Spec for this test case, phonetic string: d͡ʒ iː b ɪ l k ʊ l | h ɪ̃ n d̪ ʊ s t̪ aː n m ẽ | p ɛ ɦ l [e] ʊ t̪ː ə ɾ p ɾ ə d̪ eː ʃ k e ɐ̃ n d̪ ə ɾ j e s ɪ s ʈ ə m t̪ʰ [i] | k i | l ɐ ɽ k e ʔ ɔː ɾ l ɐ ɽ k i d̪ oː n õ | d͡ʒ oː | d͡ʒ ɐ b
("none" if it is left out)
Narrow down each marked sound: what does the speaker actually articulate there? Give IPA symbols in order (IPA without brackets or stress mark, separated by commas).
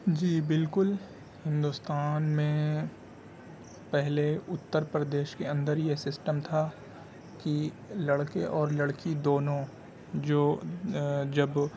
e, a